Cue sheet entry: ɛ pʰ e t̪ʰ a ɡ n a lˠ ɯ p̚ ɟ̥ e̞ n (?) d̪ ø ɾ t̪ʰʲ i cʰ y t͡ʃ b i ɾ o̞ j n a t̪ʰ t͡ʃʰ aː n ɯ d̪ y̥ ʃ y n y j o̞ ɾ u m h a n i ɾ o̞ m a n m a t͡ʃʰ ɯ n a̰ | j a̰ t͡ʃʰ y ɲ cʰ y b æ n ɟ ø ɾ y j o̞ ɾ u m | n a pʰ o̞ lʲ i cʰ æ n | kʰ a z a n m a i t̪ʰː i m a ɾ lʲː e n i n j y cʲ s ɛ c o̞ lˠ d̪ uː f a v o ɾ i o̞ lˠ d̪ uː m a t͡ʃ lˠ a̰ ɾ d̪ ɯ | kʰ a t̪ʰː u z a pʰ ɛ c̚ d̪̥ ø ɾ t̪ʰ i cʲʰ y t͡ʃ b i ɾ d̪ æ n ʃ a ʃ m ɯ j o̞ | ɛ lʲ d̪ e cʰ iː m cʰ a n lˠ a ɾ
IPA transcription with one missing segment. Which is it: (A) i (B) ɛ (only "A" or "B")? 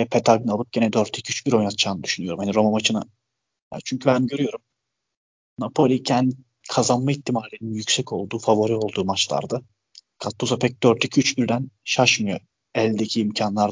B